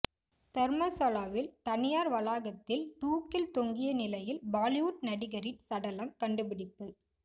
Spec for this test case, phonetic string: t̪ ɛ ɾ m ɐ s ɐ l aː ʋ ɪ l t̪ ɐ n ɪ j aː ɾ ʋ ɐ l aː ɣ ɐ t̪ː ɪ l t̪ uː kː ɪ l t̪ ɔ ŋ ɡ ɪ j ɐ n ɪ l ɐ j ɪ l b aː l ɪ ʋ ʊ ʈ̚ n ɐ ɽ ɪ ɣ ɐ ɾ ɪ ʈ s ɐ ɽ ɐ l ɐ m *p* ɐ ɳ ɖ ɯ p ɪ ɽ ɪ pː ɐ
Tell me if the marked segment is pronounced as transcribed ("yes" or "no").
no